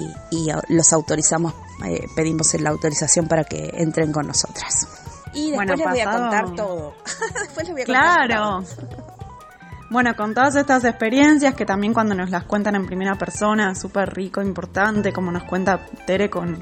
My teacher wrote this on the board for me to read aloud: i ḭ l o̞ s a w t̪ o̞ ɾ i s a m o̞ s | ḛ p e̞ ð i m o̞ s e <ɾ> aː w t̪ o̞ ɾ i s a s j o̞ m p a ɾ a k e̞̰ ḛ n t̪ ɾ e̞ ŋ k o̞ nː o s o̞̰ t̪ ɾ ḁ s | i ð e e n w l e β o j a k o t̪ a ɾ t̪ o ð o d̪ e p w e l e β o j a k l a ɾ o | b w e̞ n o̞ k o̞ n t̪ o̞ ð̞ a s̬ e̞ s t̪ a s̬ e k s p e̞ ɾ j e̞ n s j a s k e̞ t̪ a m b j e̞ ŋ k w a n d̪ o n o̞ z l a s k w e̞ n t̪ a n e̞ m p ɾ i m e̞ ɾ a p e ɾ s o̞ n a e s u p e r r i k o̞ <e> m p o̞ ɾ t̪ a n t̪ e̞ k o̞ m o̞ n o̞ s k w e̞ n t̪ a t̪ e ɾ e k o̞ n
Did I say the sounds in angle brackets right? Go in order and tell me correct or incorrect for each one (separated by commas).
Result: incorrect, incorrect